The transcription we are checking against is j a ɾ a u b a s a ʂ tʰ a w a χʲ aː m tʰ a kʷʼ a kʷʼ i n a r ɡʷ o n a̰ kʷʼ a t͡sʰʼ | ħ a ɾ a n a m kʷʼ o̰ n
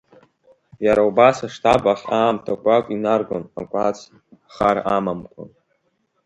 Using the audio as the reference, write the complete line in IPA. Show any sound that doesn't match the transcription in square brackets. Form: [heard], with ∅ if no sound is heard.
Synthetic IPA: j a ɾ a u b a s a ʂ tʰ a [b] a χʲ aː m tʰ a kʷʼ a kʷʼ i n a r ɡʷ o n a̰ kʷʼ a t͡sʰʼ | [χ] a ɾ a [m] a m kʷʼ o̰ n